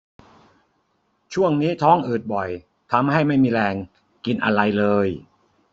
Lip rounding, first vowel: rounded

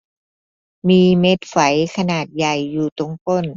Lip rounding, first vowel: unrounded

